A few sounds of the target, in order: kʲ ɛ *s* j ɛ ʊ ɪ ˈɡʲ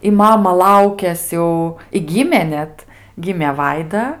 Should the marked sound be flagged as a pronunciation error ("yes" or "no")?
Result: no